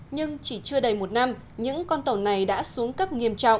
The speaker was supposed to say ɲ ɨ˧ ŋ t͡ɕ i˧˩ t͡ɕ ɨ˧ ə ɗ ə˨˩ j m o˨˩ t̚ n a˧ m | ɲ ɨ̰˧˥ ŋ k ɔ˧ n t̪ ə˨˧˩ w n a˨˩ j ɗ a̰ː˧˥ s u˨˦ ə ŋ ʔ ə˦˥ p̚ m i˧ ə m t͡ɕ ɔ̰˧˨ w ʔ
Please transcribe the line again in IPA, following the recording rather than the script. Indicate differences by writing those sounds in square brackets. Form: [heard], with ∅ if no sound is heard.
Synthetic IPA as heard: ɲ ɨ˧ ŋ t͡ɕ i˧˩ t͡ɕ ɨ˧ ə ɗ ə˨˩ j m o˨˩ t̚ n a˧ m | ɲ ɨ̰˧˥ ŋ k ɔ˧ n t̪ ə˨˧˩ w n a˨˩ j ɗ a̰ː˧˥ s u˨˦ ə ŋ [k] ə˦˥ p̚ [ŋ] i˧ ə m t͡ɕ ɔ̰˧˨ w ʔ

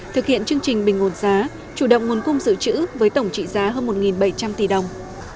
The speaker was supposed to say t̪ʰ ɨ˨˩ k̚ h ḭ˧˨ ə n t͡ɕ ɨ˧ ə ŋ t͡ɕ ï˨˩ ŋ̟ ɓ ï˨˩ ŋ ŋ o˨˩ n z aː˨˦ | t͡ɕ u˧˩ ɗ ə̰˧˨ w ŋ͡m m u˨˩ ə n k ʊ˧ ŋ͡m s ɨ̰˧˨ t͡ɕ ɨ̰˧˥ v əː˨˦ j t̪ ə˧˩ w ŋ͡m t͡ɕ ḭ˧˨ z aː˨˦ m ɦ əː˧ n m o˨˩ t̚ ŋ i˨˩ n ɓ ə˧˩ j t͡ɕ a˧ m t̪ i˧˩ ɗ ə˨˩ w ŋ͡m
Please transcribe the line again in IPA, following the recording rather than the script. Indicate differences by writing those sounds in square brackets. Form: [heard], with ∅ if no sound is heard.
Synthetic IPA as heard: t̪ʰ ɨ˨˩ k̚ h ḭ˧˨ ə n t͡ɕ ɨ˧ ə ŋ t͡ɕ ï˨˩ ŋ̟ ɓ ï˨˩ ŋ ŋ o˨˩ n z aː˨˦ | t͡ɕ u˧˩ ɗ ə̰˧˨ w ŋ͡m [ŋ] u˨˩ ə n k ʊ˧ ŋ͡m [z] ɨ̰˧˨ t͡ɕ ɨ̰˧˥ v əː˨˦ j t̪ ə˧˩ w ŋ͡m t͡ɕ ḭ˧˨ z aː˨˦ [∅] ɦ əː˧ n m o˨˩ t̚ ŋ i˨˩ n ɓ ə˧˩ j t͡ɕ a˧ m t̪ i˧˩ ɗ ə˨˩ w ŋ͡m

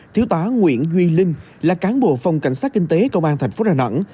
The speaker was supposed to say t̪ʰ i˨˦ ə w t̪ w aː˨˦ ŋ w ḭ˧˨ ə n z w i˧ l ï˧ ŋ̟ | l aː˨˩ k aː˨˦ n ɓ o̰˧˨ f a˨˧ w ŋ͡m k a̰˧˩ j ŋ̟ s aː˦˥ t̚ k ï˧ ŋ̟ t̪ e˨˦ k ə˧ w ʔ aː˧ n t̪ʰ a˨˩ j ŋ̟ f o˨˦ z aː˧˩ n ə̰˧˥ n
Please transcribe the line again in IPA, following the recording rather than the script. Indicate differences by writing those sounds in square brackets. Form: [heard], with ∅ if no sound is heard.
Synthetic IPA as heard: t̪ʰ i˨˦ ə w t̪ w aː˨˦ ŋ w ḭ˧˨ ə n z w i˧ l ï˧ ŋ̟ | l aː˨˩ k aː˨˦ n ɓ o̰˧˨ f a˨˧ w ŋ͡m k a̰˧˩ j ŋ̟ s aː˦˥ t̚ k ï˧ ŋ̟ t̪ e˨˦ k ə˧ w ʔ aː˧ n t̪ʰ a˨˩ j ŋ̟ f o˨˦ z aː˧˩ n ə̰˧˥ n

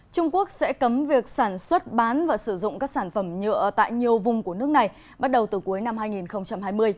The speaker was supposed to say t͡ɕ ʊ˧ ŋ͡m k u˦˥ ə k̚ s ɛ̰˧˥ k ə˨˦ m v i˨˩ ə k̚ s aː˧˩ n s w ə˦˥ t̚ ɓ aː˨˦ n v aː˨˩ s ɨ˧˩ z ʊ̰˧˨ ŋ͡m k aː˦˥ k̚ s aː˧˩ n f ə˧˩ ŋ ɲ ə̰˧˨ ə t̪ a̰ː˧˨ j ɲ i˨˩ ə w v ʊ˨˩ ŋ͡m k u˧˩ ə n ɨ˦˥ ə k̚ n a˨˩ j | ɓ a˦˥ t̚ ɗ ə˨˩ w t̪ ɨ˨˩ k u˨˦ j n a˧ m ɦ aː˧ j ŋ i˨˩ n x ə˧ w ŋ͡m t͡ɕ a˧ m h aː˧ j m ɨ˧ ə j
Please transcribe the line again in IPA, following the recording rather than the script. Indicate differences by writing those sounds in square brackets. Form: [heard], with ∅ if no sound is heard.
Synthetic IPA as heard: t͡ɕ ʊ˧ ŋ͡m k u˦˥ ə k̚ s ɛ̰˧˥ k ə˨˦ m v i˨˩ ə k̚ s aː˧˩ n s w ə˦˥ t̚ ɓ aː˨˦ n v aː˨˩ s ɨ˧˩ z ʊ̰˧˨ ŋ͡m k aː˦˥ k̚ s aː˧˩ n f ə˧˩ [m] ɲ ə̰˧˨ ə t̪ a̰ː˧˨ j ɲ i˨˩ ə w v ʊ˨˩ ŋ͡m k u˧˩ ə n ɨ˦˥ ə k̚ n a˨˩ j | ɓ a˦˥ t̚ ɗ ə˨˩ w t̪ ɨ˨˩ k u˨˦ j n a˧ m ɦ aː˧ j ŋ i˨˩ n x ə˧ w ŋ͡m t͡ɕ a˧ m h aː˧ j m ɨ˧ ə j

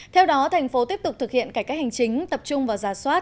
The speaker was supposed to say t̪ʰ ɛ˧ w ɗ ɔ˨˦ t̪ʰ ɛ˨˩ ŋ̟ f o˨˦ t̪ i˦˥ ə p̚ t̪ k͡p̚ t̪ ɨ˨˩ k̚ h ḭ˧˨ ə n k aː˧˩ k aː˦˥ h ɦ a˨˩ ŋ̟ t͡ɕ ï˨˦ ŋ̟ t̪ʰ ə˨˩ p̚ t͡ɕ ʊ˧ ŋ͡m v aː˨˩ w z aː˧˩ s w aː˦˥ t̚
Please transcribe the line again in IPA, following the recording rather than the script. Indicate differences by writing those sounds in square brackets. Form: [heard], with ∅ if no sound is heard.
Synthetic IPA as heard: t̪ʰ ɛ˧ w ɗ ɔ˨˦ t̪ʰ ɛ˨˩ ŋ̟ f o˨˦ t̪ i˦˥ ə p̚ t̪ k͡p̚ t̪ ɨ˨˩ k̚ h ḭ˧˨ ə n k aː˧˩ k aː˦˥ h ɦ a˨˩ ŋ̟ t͡ɕ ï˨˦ ŋ̟ [t̪] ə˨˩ p̚ t͡ɕ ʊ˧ ŋ͡m v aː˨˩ w z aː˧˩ s w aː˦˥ t̚

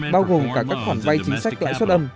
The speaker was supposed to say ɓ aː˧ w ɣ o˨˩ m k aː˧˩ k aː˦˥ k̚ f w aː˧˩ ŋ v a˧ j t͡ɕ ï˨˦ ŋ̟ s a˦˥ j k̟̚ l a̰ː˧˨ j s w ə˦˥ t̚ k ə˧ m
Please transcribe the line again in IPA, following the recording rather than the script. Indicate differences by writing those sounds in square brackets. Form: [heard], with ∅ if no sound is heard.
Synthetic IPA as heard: ɓ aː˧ w ɣ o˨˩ m k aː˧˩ k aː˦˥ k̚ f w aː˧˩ [n] v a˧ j t͡ɕ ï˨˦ ŋ̟ s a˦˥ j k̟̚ l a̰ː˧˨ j s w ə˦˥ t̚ [ʔ] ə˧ m

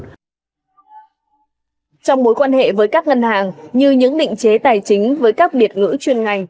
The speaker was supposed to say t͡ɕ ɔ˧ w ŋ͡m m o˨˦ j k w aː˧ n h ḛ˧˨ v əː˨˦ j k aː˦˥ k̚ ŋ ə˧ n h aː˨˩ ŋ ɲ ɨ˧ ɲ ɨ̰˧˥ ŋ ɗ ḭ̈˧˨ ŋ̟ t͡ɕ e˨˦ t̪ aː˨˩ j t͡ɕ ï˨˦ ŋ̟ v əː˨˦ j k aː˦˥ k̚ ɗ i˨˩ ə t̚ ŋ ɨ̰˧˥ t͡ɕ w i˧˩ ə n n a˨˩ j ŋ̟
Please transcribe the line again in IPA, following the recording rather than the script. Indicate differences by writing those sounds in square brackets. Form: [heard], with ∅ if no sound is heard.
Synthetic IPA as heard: t͡ɕ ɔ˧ w ŋ͡m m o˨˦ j k w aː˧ n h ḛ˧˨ v əː˨˦ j k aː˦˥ k̚ ŋ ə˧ n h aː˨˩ ŋ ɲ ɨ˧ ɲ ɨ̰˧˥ ŋ ɗ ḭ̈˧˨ ŋ̟ t͡ɕ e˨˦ t̪ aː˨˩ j t͡ɕ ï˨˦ ŋ̟ v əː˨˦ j k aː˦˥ k̚ ɗ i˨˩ ə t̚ ŋ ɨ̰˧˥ t͡ɕ w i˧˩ ə n [ŋ] a˨˩ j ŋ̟

